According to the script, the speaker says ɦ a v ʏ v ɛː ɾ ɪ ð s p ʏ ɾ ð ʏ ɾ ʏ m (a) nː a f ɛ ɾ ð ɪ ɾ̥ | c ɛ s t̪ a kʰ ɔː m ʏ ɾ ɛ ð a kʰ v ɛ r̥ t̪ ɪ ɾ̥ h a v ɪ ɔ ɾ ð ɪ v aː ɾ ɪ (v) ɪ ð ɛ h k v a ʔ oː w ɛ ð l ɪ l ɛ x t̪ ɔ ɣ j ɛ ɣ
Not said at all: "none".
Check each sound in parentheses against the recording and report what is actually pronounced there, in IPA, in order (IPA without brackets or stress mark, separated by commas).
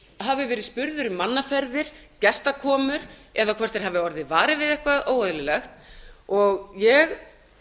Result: a, v